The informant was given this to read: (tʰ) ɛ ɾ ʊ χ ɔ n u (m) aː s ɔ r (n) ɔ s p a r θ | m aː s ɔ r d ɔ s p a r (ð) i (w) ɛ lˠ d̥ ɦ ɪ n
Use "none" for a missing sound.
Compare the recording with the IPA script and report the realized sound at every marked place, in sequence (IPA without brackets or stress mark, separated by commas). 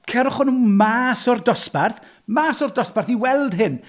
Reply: kʰ, m, d, θ, w